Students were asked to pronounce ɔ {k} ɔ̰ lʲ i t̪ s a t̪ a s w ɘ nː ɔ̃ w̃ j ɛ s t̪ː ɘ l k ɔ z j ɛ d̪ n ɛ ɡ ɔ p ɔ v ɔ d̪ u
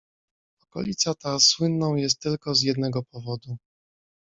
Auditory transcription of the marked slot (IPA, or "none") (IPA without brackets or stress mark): k